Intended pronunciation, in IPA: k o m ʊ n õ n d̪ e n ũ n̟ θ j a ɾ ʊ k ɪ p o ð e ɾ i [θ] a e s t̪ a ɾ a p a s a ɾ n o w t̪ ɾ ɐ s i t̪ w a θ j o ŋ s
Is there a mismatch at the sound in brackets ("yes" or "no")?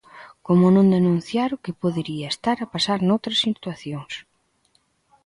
yes